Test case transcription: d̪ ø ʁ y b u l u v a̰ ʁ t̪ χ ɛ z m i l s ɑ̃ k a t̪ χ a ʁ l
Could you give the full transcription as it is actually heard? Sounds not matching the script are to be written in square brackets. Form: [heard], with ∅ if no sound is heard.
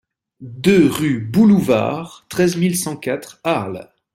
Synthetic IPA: d̪ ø ʁ y b u l u v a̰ ʁ t̪ χ ɛ z m i l s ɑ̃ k a t̪ χ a ʁ l